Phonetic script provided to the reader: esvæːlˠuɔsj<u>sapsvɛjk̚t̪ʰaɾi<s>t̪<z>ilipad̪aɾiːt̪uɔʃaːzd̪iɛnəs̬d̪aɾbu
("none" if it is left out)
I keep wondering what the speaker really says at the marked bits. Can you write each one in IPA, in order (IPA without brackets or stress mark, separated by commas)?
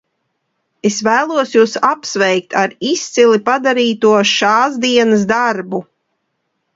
uː, s, s